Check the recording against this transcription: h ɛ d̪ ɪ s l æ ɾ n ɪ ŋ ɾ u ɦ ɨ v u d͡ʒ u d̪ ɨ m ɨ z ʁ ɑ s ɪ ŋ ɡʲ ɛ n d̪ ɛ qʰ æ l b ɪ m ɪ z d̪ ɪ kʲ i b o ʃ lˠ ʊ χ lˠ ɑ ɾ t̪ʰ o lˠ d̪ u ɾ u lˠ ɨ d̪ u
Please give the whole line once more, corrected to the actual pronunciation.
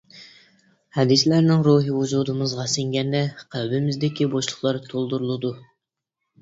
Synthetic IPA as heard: h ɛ d̪ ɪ s l æ ɾ n ɪ ŋ ɾ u ɦ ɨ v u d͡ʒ u d̪ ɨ m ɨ z ʁ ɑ s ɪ ŋ ɡʲ ɛ n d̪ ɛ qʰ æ l b ɪ m ɪ z d̪ ɪ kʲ i b o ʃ lˠ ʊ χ lˠ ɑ ɾ t̪ʰ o lˠ d̪ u ɾ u lˠ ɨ d̪ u